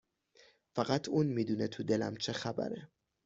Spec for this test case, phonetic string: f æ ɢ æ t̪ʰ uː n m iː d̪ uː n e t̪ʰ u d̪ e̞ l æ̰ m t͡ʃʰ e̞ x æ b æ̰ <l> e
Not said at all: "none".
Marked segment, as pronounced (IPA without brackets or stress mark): ɾ